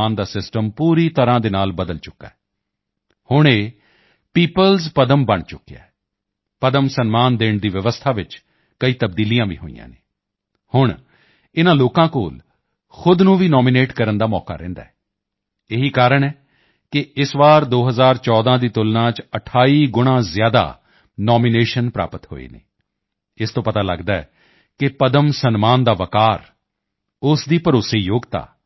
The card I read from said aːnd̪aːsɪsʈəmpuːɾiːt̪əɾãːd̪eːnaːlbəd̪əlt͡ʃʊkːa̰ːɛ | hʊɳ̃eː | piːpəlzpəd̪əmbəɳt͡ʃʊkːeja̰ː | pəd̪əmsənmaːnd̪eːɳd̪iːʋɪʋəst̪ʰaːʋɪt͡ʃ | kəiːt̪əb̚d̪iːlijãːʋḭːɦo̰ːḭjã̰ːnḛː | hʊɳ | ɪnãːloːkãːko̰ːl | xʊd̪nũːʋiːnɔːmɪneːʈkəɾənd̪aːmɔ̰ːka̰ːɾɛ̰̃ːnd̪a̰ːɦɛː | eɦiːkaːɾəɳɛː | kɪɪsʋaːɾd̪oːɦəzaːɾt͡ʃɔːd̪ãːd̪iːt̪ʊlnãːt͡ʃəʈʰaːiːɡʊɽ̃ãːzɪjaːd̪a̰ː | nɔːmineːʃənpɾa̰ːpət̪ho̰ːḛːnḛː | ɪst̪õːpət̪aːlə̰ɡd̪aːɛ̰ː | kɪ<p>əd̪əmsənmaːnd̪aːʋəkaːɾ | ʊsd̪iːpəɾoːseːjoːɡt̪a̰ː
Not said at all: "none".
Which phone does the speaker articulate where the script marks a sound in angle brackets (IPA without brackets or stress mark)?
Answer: p